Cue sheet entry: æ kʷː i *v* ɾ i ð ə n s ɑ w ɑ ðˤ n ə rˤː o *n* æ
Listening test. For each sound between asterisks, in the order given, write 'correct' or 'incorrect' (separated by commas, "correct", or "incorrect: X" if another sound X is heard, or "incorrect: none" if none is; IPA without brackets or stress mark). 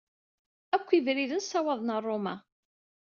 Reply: correct, incorrect: m